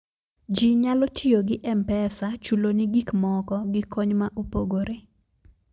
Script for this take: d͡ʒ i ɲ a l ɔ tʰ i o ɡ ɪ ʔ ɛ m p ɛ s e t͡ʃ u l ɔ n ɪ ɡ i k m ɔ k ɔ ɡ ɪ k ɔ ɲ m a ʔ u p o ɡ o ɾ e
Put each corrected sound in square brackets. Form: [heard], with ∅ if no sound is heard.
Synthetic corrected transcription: d͡ʒ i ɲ a l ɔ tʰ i o ɡ ɪ ʔ ɛ m p ɛ s [a] t͡ʃ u l [o] n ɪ ɡ i k m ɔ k ɔ ɡ ɪ k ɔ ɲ m a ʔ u p o ɡ o ɾ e